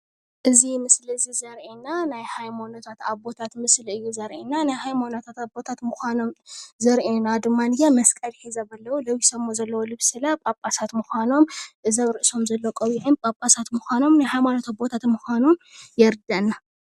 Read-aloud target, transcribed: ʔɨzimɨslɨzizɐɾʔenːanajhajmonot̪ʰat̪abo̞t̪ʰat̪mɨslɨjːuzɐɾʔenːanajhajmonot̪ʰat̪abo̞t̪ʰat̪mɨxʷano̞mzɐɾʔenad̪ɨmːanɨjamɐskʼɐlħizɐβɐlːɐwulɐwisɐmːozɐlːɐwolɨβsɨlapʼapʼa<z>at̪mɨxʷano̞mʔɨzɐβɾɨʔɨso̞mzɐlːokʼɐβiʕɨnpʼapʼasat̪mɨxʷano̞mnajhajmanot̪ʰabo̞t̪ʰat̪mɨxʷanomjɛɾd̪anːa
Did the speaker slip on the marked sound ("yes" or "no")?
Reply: yes